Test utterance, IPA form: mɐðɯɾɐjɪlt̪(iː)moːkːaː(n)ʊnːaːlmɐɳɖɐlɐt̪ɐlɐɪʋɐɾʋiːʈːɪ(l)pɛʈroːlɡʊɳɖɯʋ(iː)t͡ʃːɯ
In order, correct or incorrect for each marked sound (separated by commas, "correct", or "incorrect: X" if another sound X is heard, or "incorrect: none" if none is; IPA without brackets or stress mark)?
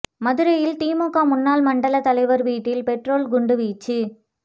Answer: correct, incorrect: m, correct, correct